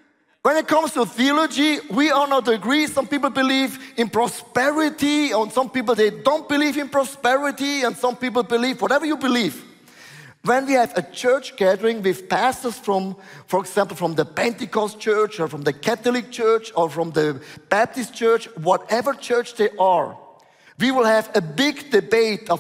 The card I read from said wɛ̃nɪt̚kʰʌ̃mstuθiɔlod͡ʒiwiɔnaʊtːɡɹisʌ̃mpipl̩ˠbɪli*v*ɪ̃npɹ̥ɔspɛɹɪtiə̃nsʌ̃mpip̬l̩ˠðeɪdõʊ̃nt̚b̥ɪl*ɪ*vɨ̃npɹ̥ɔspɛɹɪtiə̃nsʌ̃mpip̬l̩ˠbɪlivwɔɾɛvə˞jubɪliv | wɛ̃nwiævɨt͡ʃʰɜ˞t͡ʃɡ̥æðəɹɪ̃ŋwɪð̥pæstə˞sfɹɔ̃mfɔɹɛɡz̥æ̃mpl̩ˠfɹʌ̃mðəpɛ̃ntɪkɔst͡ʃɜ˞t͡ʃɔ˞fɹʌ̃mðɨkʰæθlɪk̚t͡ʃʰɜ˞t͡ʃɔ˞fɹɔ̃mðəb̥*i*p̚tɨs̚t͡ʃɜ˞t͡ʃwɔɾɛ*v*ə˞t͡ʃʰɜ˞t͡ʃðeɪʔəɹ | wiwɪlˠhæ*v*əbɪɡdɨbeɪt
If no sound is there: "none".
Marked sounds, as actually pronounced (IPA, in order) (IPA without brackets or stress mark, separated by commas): v, i, æ, v, v